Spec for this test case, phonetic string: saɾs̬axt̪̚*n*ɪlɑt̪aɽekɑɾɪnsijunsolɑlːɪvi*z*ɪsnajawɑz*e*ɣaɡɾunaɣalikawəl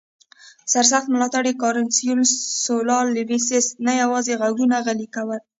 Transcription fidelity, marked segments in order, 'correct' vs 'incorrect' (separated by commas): incorrect, incorrect, correct